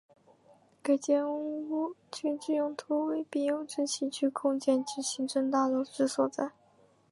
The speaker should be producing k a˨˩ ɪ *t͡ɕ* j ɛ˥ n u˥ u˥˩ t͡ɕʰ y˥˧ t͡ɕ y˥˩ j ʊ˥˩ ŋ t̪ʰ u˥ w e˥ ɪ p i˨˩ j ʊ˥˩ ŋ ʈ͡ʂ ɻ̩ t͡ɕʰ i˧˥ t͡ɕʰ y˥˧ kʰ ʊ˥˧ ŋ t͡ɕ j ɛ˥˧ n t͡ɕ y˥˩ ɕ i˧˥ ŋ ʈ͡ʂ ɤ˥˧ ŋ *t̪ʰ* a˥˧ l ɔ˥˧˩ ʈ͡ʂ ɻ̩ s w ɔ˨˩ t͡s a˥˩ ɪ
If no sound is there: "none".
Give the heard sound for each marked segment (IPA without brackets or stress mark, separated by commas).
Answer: t͡ɕ, t̪